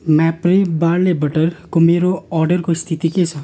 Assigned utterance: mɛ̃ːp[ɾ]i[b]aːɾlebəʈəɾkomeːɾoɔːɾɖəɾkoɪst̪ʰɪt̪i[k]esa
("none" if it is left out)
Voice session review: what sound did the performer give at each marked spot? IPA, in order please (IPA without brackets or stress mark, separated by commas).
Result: ɾ, b, k